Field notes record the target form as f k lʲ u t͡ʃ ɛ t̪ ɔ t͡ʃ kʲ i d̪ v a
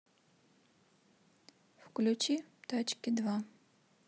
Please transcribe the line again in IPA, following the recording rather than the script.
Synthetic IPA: f k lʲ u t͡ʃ i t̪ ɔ t͡ʃ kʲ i d̪ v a